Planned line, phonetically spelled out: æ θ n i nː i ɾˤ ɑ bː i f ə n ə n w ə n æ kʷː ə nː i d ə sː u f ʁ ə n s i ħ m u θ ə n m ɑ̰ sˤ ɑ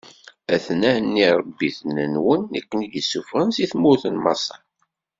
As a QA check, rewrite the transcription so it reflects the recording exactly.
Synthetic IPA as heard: æ θ n æ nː i ɾˤ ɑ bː i θ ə n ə n w ə n æ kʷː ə n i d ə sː u f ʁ ə n s i θ m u θ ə n m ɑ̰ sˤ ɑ